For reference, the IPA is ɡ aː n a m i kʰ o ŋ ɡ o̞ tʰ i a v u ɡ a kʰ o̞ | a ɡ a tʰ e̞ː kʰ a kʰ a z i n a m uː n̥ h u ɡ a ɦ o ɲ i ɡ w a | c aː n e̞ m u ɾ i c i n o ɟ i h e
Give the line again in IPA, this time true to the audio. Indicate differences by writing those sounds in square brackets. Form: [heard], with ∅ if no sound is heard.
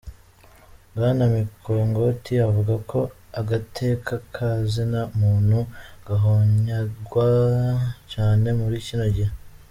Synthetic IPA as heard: ɡ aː n a m i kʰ o ŋ ɡ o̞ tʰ i a v u ɡ a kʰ o̞ | a ɡ a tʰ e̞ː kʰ a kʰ a z i n a m uː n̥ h u ɡ a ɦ o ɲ [a] ɡ w a | c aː n e̞ m u ɾ i c i n o ɟ i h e